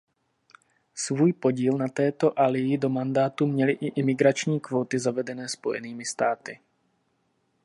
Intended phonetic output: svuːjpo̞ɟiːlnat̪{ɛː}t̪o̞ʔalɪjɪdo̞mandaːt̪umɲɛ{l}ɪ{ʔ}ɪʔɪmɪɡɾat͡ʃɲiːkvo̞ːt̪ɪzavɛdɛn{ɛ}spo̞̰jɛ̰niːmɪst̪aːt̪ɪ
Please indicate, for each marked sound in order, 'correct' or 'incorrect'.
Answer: correct, correct, correct, incorrect: ɛː

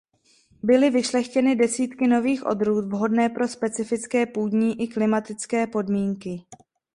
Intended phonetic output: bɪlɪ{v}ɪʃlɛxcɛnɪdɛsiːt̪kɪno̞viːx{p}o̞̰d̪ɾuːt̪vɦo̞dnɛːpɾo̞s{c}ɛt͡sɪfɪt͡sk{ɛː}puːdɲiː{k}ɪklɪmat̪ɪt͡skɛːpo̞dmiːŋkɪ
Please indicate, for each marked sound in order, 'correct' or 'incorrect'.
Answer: correct, incorrect: ʔ, incorrect: p, correct, incorrect: ʔ

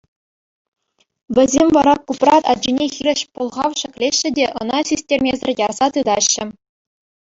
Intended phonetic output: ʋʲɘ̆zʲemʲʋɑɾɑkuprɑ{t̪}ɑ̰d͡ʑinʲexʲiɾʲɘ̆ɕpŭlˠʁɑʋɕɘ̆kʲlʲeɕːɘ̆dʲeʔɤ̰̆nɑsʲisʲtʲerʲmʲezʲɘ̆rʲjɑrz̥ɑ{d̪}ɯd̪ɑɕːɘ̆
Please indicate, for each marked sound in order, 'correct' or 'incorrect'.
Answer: correct, incorrect: t̪

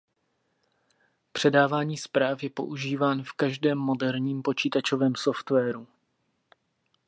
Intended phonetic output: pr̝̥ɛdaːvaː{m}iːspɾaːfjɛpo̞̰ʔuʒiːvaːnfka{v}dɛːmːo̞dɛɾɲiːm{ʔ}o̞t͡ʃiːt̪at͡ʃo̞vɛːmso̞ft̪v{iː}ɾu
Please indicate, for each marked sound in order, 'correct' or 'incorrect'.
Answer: incorrect: ɲ, incorrect: ʒ, incorrect: p, incorrect: ɛː

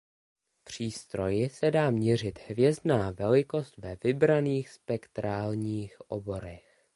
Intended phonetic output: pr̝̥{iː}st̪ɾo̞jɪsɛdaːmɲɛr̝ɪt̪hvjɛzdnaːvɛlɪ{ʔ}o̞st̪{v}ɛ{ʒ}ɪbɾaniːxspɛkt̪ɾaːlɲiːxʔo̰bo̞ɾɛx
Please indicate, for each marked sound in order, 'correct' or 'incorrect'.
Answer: correct, incorrect: k, correct, incorrect: v

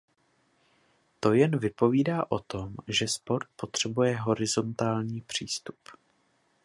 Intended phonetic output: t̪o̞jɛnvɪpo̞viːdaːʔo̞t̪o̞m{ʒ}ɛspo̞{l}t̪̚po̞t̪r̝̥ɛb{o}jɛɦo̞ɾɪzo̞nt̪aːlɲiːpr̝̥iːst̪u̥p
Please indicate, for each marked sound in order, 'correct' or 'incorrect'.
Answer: correct, incorrect: ɾ, incorrect: u

